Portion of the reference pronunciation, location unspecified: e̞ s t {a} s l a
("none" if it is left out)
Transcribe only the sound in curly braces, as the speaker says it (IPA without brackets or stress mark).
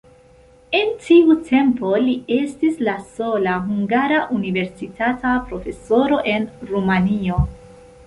i